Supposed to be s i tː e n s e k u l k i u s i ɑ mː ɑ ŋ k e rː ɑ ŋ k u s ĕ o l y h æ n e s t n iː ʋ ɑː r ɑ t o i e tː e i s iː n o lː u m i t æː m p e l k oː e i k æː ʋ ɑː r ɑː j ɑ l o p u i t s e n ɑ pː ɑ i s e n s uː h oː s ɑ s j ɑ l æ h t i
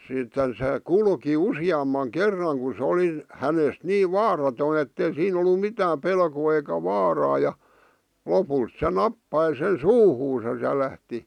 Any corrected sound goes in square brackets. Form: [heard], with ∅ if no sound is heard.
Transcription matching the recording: s i tː e n s e k u l k i u s i ɑ mː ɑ ŋ k e rː ɑ ŋ k u s ĕ o l [i] h æ n e s t n iː ʋ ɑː r ɑ t o i e tː e i s iː n o lː u m i t æː m p e l k oː e i k [æ] ʋ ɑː r ɑː j ɑ l o p u i t s e n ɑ pː ɑ i s e n s uː h [uː] s ɑ s j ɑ l æ h t i

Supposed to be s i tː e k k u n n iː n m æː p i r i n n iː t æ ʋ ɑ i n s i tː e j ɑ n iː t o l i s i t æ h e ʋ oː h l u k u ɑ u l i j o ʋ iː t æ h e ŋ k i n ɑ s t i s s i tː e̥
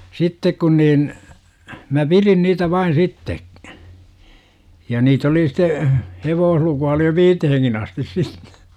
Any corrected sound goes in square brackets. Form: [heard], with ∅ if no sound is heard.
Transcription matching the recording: s i tː e k k u n n iː n m [æ] p i r i n n iː t æ ʋ ɑ i n s i tː e j ɑ n iː t o l i s i t [e] h e ʋ oː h l u k u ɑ [o] l i j o ʋ iː t [e] h e ŋ k i n ɑ s t i s s i tː e̥

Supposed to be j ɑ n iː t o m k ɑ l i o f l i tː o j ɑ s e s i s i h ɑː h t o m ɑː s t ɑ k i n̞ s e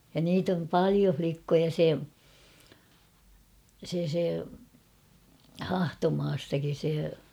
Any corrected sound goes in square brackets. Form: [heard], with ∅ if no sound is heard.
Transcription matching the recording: j ɑ n iː t o m [p] ɑ l i o f l i [kː] o j ɑ s e s [e] s [e] h [ɑ] h t o m ɑː s t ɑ k i n̞ s e

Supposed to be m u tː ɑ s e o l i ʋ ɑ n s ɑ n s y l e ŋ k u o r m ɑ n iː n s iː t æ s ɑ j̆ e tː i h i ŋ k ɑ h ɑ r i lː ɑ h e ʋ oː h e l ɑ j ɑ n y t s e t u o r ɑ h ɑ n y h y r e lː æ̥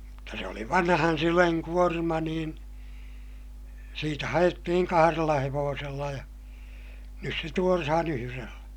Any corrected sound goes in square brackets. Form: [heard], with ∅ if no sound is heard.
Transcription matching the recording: m u tː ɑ s e o l i ʋ ɑ n [h] ɑ n s y l e ŋ k u o r m ɑ n iː n s iː t æ [h] ɑ j̆ e tː i h i ŋ k ɑ h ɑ r [e] lː ɑ h e ʋ oː [s] e [lː] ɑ j ɑ n y [s] s e t u o r ɑ h ɑ n y h y r e lː æ̥

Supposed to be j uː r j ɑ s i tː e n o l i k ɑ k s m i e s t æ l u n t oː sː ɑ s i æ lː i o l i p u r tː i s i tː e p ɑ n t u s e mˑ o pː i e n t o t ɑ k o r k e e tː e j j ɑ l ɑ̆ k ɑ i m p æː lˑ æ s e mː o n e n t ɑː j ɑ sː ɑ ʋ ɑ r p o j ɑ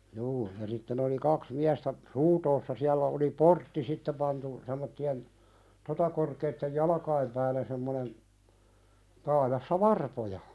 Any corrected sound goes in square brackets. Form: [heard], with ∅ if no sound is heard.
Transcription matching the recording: j uː [∅] j ɑ s i tː e n o l i k ɑ k s m i [æ] s t æ [r] u n t oː sː ɑ s i æ lː [æ] o l i p [o] r tː i s i tː e p ɑ n t u s e mˑ o [tː] i e n t o t ɑ k o r k e [i] tː e j j ɑ l ɑ̆ k ɑ i m p æː lˑ æ s e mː o n e n t ɑː j ɑ sː ɑ ʋ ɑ r p o j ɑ

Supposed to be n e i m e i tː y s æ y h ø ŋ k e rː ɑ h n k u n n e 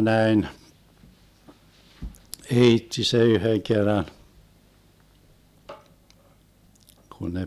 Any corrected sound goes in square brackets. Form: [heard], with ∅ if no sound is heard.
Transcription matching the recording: n [æ] i [n] e i tː [i] s [e] y h ø ŋ k e rː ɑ [∅] n k u n n e

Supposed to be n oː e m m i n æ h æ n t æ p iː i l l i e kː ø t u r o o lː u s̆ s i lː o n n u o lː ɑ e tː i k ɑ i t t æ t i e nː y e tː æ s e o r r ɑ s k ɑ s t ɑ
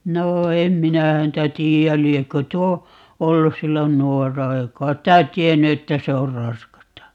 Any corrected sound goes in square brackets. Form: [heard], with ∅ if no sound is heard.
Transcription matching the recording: n oː e m m i n æ h æ n t æ [t] iː [æ] l l i e kː ø t u [∅] o o lː u s̆ s i lː o n n u o [rː] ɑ e [∅] i k ɑ i t t æ t i e nː y e tː æ s e o r r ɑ s k ɑ s t ɑ

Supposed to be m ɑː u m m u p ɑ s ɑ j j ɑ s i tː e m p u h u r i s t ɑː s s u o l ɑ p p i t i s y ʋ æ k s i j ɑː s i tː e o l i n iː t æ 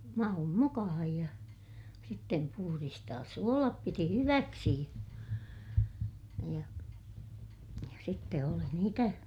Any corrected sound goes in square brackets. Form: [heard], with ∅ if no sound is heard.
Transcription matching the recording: m [ɑ] u m m u [k] ɑ [h] ɑ j j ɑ s i tː e m p u h u r i s t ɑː s s u o l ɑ p p i t i [h] y ʋ æ k s i j [ɑ] s i tː e o l i n iː t æ

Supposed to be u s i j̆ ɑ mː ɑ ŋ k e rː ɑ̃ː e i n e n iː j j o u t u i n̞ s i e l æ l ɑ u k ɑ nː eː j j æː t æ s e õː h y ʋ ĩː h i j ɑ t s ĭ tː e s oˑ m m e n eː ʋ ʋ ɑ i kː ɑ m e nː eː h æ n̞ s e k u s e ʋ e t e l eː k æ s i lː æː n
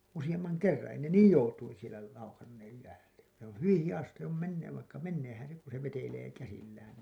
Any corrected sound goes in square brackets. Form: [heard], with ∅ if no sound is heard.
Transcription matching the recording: u s i j̆ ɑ mː ɑ ŋ k e rː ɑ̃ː e i n e n iː j j o u t u i n̞ s i e l æ l ɑ u k ɑ nː eː j j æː t æ s e õː h y ʋ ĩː h i j ɑ [s] s ĭ tː e s oˑ m m e [nː] eː ʋ ʋ ɑ i kː ɑ m e nː eː h æ n̞ s e k u s e ʋ e t e l eː k æ s i lː æː n

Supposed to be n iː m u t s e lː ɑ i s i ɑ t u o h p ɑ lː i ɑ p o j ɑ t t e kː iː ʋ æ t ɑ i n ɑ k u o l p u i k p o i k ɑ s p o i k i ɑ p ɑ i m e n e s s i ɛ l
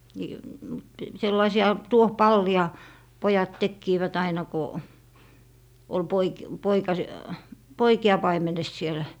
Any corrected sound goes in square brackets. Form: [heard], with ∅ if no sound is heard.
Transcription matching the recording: n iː m u t s e lː ɑ i s i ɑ t u o h p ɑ lː i ɑ p o j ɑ t t e kː iː ʋ æ t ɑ i n ɑ k [o] o l p [o] i k p o i k ɑ s p o i k i ɑ p ɑ i m e n e s s i [e] l

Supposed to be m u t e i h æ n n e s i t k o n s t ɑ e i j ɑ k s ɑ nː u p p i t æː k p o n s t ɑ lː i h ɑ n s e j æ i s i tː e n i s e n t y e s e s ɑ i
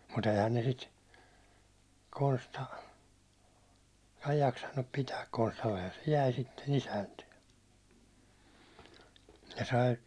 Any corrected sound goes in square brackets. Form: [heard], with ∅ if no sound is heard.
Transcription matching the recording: m u t e i h æ n n e s i t k o n s t ɑ e i j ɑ k s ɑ nː u p p i t æː k [k] o n s t ɑ lː [e] h ɑ n s e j æ i s i tː e n i s [æ] n t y e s e s ɑ i

